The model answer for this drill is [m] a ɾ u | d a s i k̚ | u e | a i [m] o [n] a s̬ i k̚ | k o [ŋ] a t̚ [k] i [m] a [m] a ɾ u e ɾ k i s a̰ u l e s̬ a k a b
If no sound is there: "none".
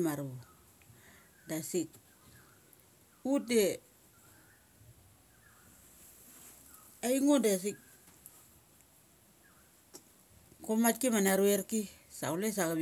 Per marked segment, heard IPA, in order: m, ŋ, d, m, k, m, n

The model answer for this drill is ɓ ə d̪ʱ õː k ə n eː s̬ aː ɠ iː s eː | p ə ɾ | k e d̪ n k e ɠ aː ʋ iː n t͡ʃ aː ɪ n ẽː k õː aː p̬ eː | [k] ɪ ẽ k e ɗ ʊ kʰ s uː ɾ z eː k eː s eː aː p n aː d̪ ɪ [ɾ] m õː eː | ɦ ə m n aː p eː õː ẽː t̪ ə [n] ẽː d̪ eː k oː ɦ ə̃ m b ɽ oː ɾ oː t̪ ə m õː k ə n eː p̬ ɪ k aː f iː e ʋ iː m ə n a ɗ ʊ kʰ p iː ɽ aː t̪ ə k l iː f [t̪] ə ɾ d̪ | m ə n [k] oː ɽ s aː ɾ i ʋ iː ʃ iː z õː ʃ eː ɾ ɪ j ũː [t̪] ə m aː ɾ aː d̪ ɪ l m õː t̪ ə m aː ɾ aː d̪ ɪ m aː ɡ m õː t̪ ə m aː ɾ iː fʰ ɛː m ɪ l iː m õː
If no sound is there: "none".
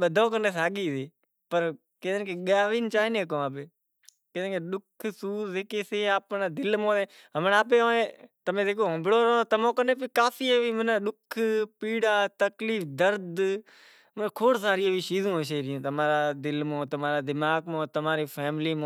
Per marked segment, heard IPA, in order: k, l, m, d̪, kʰ, t̪

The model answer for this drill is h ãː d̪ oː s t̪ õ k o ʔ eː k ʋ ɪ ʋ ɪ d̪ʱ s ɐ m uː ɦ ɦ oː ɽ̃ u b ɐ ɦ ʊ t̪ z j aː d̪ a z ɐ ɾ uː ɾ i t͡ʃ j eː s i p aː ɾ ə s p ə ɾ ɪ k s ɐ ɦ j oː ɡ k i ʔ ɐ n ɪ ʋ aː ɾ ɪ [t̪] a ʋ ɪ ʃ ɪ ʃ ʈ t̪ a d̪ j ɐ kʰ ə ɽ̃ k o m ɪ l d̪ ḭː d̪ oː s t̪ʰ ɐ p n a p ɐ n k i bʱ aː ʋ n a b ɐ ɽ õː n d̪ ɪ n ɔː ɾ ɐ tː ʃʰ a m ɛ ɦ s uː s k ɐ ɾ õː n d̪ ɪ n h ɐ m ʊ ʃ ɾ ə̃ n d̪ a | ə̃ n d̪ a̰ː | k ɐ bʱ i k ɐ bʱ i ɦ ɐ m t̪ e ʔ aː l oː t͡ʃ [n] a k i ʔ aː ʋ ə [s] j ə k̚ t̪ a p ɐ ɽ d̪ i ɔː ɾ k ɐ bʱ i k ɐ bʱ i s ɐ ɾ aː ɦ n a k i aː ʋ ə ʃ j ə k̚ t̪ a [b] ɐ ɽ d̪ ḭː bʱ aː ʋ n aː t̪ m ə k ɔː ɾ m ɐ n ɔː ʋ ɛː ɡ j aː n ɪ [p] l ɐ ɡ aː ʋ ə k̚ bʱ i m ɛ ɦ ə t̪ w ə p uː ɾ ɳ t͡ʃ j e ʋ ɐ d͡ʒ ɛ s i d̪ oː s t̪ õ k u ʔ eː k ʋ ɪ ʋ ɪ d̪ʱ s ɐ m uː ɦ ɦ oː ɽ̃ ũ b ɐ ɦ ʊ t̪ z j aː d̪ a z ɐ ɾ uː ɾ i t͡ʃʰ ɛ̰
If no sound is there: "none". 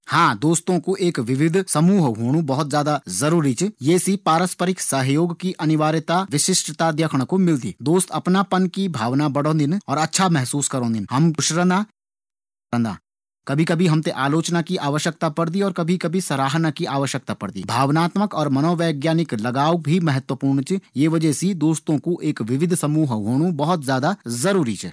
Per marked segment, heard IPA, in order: t̪, n, ʃ, p, k

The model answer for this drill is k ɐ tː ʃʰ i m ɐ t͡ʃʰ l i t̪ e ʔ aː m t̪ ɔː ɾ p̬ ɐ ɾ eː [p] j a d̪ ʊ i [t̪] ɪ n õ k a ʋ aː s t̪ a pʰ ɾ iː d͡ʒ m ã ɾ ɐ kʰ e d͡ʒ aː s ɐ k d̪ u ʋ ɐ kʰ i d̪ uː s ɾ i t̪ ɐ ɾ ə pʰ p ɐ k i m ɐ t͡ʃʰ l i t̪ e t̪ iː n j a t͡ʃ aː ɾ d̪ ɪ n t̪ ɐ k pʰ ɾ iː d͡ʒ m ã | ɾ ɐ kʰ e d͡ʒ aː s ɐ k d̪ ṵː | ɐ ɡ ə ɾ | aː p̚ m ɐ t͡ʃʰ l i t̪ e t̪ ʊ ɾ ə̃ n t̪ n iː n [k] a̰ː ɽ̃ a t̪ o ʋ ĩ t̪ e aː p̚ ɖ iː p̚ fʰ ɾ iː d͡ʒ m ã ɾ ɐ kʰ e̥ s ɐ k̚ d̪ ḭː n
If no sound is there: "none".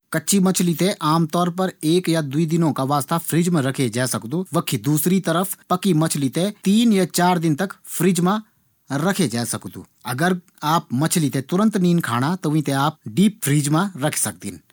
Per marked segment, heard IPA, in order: k, d̪, kʰ

